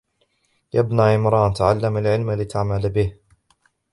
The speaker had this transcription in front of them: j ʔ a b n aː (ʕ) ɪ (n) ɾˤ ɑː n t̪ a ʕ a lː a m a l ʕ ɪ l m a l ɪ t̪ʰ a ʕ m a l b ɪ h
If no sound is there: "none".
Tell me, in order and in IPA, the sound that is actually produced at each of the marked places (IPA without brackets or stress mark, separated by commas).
ʕ, m